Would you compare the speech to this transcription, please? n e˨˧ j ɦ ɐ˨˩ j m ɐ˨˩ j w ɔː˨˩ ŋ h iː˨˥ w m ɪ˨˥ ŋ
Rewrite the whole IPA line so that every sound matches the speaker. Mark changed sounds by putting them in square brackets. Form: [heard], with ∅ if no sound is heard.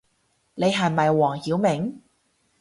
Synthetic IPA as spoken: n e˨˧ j ɦ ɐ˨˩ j m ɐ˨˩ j w ɔː˨˩ ŋ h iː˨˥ w m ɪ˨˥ ŋ